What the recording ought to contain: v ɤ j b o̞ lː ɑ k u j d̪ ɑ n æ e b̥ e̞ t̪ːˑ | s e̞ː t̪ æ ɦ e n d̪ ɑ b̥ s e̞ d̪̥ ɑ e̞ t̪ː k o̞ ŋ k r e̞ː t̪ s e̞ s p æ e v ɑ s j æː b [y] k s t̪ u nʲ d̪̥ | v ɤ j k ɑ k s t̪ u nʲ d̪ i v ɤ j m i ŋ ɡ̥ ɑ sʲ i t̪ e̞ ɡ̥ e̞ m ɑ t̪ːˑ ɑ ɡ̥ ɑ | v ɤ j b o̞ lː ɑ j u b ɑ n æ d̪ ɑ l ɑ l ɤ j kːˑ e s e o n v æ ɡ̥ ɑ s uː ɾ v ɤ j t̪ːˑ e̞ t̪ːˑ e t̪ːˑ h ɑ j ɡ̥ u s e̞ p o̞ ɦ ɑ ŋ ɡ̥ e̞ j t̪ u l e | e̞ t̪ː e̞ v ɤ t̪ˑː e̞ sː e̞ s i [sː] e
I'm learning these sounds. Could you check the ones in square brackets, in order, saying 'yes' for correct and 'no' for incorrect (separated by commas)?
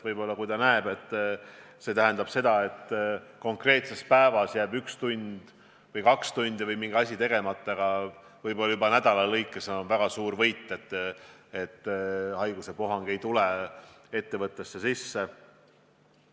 yes, yes